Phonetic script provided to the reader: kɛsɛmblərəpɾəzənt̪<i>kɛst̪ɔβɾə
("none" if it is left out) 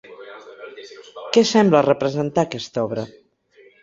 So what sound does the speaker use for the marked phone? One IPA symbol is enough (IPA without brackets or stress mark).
a